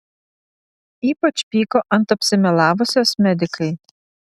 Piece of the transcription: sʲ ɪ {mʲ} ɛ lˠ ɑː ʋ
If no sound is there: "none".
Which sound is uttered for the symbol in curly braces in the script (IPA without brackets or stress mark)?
mʲ